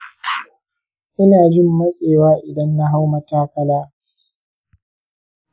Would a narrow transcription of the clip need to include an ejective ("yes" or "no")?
yes